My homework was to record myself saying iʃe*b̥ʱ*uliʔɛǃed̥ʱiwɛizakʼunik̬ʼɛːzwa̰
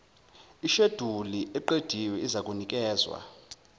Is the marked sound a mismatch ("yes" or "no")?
yes